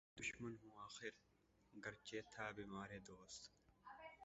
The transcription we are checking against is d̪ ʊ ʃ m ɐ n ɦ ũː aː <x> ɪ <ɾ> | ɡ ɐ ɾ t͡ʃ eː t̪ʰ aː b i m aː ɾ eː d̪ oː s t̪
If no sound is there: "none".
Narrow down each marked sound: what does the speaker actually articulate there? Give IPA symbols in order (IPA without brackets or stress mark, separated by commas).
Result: x, ɾ